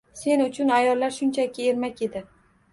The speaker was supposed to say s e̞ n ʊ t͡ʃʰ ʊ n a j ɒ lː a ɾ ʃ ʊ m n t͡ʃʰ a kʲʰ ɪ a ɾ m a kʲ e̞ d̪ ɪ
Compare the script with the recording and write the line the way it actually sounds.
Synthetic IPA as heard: s e̞ n ʊ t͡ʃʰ ʊ n a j ɒ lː a ɾ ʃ ʊ n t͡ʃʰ a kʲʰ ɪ e ɾ m a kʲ e̞ d̪ ɪ